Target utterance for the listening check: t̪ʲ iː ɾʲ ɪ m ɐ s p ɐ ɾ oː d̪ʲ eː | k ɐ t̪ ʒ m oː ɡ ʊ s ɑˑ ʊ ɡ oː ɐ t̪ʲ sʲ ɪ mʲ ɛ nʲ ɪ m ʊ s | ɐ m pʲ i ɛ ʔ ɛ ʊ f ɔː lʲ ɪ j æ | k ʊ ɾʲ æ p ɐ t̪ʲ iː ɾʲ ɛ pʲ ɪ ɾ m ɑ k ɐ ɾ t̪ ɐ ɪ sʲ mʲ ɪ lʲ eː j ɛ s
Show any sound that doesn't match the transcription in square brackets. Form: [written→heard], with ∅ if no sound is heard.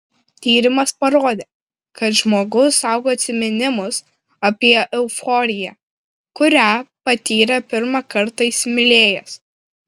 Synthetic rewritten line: t̪ʲ iː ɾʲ ɪ m ɐ s p ɐ ɾ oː d̪ʲ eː | k ɐ t̪ ʒ m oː ɡ ʊ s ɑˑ ʊ ɡ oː ɐ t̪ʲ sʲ ɪ mʲ ɛ nʲ ɪ m ʊ s | ɐ [m→∅] pʲ i ɛ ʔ ɛ ʊ f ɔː [lʲ→ɾʲ] ɪ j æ | k ʊ ɾʲ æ p ɐ t̪ʲ iː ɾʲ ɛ pʲ ɪ ɾ m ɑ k ɐ ɾ t̪ ɐ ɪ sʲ mʲ ɪ lʲ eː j ɛ s